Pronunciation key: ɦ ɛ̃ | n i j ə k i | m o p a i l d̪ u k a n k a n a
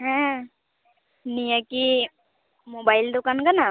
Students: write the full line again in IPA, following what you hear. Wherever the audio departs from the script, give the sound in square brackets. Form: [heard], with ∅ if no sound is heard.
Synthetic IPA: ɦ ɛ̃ | n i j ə k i | m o [b] a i l d̪ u k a n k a n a